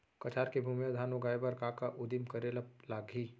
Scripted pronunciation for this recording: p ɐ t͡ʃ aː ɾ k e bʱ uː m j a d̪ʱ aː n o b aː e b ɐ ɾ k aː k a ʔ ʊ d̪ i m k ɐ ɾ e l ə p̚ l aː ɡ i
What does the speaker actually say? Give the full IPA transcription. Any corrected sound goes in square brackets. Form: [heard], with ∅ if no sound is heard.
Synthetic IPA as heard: [k] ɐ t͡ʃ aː ɾ k e bʱ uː m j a d̪ʱ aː n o [ɡ] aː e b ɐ ɾ k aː k a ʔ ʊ d̪ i m k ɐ ɾ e l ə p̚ l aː ɡ i